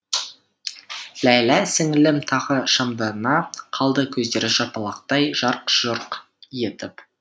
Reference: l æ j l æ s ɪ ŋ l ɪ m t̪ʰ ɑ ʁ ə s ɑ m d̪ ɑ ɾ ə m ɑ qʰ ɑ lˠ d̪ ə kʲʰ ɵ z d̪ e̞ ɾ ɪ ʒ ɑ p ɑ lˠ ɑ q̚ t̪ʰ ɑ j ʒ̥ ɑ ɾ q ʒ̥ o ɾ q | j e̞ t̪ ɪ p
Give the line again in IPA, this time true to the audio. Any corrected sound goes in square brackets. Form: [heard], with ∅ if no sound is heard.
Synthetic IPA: l æ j l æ s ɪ ŋ l ɪ m t̪ʰ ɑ ʁ ə [ʃ] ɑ m d̪ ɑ ɾ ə [n] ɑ qʰ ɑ lˠ d̪ ə kʲʰ ɵ z d̪ e̞ ɾ ɪ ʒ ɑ p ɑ lˠ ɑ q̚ [t̪] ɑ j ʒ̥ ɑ ɾ q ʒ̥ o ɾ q | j e̞ t̪ ɪ p